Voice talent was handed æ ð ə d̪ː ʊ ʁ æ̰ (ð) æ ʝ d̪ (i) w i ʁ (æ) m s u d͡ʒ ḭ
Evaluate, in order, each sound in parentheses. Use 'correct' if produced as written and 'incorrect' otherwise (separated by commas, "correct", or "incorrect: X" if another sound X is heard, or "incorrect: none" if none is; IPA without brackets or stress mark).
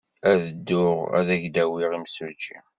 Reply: correct, incorrect: æ, incorrect: i